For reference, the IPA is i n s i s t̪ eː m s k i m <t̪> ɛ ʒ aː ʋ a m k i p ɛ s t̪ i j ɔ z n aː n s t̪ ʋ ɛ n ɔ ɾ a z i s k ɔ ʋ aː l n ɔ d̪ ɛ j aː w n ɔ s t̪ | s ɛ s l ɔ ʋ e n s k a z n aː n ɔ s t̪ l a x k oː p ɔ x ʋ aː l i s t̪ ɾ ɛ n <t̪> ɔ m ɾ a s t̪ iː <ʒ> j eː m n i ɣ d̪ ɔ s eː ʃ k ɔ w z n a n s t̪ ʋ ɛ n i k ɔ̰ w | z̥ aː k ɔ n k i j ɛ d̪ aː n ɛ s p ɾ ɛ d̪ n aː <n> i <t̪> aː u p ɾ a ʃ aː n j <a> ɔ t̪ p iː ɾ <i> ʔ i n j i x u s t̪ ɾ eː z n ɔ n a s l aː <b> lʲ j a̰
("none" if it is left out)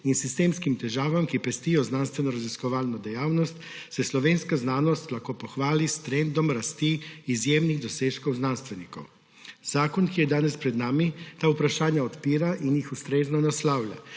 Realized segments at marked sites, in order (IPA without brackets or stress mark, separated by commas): t̪, d̪, z, m, t̪, a, a, w